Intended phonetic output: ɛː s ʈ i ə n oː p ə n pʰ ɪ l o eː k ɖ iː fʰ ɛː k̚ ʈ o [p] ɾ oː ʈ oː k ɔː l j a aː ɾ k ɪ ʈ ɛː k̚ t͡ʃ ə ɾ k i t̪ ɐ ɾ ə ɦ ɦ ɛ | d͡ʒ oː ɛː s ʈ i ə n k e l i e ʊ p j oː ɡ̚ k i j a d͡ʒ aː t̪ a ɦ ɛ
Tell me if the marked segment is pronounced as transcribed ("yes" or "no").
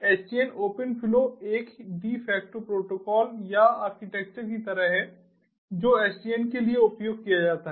yes